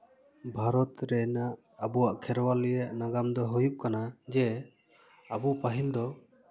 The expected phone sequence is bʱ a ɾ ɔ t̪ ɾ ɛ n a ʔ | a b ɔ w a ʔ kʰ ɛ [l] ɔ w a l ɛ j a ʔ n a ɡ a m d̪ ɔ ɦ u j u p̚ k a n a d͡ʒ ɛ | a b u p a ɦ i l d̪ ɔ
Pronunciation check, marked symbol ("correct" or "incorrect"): incorrect